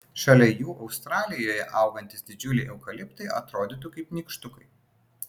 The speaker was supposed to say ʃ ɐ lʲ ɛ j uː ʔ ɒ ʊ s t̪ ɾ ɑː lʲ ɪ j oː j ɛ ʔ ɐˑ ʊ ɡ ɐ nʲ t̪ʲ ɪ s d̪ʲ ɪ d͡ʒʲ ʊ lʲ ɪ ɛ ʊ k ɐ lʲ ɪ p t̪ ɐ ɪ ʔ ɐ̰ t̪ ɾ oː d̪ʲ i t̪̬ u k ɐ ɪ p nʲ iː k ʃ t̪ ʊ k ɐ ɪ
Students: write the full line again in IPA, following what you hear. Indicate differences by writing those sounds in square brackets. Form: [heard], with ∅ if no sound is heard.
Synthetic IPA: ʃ ɐ lʲ ɛ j uː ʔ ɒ ʊ s t̪ ɾ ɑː lʲ ɪ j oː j ɛ ʔ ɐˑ ʊ ɡ ɐ nʲ t̪ʲ ɪ s d̪ʲ ɪ d͡ʒʲ ʊ lʲ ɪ ɛ ʊ k ɐ lʲ ɪ p t̪ ɐ ɪ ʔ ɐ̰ t̪ ɾ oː d̪ʲ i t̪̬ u k ɐ ɪ p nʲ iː k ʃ t̪ ʊ k ɐ ɪ